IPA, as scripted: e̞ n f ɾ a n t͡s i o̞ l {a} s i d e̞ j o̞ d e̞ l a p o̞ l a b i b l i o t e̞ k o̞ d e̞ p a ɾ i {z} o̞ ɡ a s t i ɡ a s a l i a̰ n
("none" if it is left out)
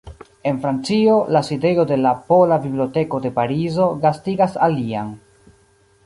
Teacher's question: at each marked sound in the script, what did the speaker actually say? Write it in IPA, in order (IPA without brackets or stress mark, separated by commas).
a, z